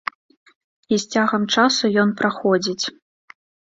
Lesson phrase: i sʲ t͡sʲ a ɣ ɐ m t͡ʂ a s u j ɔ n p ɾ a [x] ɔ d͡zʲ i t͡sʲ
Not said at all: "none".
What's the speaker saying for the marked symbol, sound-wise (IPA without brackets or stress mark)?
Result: x